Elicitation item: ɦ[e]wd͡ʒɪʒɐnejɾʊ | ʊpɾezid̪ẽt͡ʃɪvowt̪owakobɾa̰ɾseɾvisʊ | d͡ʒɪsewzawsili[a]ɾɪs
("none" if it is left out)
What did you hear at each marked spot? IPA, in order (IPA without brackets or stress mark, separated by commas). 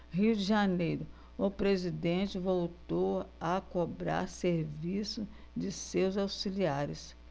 i, a